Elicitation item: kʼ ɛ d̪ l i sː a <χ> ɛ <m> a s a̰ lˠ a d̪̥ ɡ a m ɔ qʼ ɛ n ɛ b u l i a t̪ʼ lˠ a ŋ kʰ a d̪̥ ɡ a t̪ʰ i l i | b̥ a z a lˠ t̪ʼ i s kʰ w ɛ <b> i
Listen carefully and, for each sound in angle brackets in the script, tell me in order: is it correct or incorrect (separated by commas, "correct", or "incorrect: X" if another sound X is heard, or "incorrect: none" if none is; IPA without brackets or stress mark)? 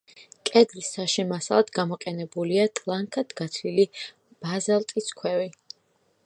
incorrect: ʃ, correct, incorrect: v